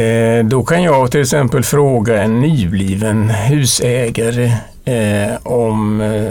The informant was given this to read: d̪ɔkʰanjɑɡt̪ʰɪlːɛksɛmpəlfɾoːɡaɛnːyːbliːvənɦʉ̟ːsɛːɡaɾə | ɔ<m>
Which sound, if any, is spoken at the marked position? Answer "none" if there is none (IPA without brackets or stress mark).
m